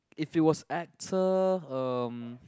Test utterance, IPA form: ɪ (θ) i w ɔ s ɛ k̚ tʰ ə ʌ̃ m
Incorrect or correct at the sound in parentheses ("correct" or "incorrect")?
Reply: incorrect